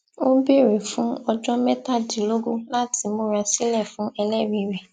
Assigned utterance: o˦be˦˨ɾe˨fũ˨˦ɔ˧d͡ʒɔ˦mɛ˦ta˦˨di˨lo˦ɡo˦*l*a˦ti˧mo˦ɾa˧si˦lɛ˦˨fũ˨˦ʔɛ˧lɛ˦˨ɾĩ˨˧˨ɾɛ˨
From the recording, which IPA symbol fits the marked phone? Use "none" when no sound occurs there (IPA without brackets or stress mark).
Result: l